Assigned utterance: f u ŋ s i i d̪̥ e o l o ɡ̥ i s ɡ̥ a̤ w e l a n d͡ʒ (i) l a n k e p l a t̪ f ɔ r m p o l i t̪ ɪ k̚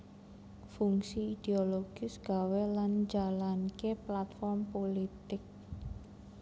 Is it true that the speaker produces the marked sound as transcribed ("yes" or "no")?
no